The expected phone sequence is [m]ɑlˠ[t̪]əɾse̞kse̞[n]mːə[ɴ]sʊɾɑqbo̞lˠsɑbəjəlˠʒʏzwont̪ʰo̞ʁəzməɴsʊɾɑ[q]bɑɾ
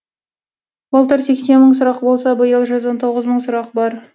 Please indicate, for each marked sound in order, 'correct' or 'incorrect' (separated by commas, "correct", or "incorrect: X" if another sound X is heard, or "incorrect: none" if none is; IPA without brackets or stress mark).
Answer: incorrect: b, correct, correct, correct, correct